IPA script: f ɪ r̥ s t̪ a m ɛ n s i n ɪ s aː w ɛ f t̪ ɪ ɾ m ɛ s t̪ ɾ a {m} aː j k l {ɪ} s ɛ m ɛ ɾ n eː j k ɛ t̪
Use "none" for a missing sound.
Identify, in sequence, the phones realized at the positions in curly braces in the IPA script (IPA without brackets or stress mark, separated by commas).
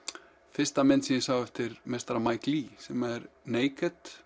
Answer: m, i